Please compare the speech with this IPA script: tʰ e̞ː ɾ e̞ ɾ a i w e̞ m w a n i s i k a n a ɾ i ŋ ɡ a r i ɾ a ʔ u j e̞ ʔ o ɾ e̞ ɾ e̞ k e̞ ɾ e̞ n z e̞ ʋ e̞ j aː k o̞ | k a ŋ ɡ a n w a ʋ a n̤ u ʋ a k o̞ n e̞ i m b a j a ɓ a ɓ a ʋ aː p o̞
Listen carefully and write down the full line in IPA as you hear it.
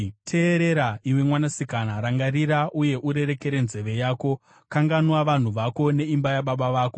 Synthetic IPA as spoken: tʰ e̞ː ɾ e̞ ɾ a i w e̞ m w a n a s i k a n a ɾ a ŋ ɡ a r i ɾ a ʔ u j e̞ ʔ u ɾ e̞ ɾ e̞ k e̞ ɾ e̞ n z e̞ ʋ e̞ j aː k o̞ | k a ŋ ɡ a n w a ʋ a n̤ u ʋ a k o̞ n e̞ i m b a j a ɓ a ɓ a ʋ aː k o̞